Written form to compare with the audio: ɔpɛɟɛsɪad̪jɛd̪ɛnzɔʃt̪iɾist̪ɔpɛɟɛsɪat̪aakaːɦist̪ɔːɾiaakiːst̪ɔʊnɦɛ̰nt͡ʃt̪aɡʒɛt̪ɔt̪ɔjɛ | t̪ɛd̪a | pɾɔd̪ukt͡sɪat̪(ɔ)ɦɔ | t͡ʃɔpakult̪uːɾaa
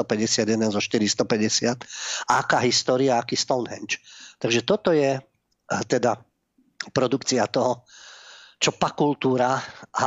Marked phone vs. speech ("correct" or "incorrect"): correct